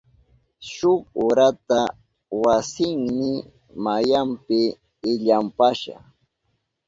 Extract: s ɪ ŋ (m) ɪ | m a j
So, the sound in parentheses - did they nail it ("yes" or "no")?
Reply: yes